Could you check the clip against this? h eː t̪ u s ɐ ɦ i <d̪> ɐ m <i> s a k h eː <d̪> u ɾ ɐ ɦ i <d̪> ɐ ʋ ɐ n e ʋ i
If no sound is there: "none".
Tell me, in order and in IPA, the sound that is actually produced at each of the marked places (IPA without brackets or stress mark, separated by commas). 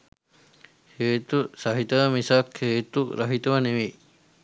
t̪, i, t̪, t̪